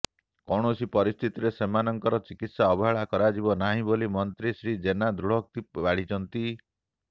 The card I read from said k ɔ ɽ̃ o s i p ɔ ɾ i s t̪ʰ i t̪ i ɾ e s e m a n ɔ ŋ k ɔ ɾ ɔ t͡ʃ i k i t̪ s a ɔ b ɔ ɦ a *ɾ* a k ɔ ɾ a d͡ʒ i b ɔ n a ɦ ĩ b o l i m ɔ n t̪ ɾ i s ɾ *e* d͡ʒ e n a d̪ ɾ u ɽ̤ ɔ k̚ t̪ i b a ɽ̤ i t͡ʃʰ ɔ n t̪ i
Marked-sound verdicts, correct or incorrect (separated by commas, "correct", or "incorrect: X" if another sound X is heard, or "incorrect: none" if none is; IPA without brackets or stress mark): incorrect: ɭ, incorrect: i